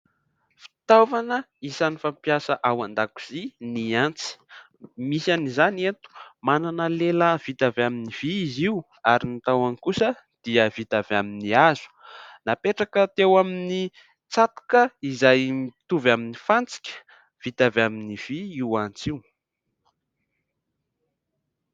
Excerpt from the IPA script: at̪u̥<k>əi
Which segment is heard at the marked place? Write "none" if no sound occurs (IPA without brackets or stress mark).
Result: k